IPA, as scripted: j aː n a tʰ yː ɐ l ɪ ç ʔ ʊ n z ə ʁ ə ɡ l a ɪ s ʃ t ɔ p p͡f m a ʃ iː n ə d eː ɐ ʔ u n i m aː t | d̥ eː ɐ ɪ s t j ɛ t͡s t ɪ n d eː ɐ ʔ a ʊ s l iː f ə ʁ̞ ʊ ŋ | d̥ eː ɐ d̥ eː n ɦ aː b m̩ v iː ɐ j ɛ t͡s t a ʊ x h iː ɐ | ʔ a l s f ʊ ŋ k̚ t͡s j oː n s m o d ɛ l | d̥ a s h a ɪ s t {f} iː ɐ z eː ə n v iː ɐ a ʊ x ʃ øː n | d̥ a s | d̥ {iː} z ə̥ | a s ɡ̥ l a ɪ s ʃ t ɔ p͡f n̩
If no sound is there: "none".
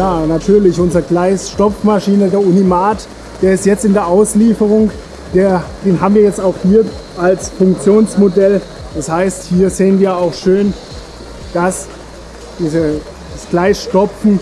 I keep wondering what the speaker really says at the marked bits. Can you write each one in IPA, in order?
h, iː

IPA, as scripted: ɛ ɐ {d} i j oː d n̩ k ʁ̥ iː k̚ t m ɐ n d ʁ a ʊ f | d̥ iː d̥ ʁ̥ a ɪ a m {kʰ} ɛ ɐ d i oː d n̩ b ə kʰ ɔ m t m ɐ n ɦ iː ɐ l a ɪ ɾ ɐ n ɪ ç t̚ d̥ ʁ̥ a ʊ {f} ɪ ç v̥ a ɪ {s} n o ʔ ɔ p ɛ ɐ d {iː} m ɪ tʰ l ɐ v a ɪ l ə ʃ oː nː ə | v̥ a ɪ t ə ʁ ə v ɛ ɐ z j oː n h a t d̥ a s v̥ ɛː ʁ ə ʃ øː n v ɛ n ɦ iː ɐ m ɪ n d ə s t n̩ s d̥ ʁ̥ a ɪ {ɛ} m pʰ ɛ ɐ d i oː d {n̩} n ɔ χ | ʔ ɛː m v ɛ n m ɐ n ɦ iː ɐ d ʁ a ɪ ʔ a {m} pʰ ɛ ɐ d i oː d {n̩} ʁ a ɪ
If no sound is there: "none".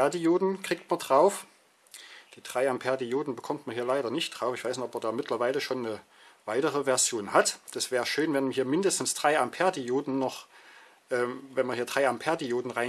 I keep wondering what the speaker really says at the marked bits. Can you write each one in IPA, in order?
d, pʰ, f, s, aː, a, n̩, m, n̩

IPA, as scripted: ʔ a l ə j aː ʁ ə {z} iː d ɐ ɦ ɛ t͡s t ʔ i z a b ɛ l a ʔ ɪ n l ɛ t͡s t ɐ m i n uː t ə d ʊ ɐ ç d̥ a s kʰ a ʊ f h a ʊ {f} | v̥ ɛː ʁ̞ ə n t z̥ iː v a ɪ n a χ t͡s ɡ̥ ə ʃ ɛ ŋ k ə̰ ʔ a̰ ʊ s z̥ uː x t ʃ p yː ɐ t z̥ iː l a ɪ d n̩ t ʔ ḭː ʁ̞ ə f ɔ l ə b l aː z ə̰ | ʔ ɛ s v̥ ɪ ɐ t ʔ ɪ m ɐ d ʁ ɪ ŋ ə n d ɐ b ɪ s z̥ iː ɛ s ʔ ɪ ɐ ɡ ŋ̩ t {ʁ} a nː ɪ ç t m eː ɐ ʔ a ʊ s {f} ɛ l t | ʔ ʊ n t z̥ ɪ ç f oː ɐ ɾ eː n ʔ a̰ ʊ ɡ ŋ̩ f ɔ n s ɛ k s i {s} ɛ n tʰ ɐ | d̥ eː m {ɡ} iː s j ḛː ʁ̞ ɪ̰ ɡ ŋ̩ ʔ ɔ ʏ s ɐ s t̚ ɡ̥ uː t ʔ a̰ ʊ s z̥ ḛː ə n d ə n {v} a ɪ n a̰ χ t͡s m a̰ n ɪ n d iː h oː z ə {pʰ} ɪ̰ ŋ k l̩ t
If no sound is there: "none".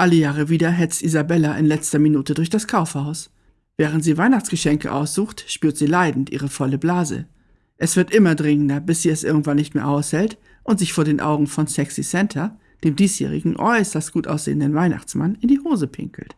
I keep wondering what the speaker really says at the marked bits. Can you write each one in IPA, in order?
v, s, v, h, s, d, v, pʰ

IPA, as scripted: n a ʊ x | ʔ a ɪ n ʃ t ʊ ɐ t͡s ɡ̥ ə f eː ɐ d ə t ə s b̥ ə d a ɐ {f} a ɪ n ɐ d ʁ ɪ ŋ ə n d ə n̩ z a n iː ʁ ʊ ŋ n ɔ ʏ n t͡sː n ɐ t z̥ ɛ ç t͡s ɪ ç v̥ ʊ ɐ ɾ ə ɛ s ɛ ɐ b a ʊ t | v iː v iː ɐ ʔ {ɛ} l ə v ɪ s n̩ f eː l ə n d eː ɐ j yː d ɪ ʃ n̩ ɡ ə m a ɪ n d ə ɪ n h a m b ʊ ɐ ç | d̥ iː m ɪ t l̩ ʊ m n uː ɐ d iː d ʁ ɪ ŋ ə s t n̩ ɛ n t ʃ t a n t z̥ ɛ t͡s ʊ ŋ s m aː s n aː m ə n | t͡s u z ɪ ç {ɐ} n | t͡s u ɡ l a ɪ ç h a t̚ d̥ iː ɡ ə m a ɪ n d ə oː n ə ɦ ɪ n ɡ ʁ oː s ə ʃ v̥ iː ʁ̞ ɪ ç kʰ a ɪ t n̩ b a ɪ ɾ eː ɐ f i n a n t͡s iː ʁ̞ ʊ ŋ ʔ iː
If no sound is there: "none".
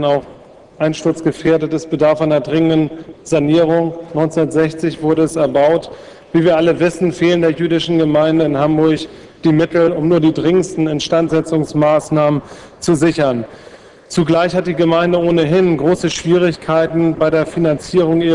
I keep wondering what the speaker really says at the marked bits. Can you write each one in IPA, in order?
f, a, ɐ

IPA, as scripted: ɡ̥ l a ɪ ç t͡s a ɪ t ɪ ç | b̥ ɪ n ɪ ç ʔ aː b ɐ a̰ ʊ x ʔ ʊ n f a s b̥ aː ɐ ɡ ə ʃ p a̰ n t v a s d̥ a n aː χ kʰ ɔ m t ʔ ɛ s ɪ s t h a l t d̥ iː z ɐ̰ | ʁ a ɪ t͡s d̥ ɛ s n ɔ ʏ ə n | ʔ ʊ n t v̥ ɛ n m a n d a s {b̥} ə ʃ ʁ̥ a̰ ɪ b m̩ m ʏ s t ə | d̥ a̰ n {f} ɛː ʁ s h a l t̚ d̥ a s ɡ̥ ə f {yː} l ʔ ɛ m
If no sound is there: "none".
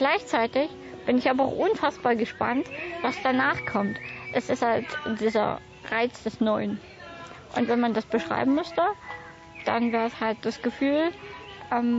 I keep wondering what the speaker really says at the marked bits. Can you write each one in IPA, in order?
b̥, v, yː

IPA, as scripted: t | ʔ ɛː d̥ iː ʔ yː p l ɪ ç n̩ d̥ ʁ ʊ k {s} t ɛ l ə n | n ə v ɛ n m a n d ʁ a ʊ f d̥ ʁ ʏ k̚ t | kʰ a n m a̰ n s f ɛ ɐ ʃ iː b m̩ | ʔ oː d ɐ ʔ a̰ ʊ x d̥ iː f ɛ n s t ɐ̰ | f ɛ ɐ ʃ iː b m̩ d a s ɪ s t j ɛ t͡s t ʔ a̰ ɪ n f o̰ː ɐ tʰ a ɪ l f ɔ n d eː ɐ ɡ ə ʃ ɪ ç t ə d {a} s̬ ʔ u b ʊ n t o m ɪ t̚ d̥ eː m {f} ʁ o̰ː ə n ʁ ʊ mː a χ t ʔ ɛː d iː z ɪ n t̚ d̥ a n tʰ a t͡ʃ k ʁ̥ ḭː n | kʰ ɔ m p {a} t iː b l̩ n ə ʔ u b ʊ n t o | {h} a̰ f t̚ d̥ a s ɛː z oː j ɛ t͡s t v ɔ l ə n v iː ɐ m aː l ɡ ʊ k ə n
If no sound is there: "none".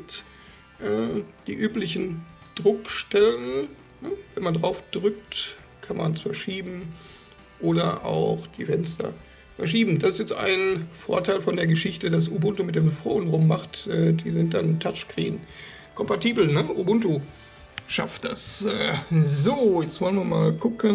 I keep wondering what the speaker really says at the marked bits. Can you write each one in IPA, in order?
ʃ, a, f, a, ʃ

